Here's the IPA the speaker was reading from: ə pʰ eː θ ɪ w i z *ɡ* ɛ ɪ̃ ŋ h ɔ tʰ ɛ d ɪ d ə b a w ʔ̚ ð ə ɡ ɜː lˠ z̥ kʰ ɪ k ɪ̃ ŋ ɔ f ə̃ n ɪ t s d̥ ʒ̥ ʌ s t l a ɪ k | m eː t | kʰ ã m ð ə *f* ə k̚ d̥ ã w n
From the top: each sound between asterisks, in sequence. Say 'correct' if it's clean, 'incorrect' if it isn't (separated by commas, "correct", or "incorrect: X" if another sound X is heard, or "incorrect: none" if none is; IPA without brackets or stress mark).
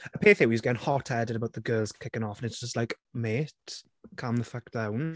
correct, correct